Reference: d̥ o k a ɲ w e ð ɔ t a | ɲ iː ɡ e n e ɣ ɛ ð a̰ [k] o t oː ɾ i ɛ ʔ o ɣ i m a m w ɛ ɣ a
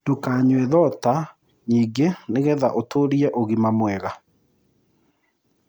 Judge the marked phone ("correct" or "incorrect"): incorrect